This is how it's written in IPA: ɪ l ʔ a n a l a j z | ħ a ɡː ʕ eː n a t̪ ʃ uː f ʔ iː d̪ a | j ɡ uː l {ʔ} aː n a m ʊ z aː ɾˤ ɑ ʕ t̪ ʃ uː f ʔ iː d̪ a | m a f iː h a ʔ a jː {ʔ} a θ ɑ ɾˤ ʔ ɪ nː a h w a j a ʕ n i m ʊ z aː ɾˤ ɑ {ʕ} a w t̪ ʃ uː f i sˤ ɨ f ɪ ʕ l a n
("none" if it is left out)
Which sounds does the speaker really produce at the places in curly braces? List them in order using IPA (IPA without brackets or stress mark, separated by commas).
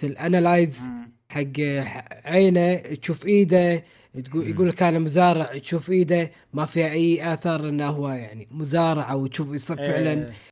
k, ʔ, ʕ